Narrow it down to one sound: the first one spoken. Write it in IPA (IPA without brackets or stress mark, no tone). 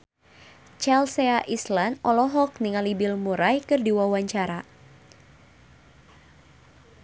t͡ʃ